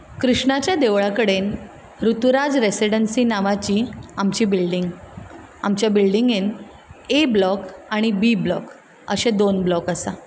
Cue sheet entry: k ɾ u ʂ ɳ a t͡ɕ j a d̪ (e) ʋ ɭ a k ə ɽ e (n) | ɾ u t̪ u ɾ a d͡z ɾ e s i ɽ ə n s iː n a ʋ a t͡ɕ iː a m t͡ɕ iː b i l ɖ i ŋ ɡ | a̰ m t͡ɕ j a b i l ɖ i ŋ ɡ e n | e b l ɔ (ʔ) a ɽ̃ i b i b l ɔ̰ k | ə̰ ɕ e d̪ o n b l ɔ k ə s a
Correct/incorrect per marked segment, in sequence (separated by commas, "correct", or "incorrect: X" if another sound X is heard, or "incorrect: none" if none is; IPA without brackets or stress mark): correct, correct, incorrect: k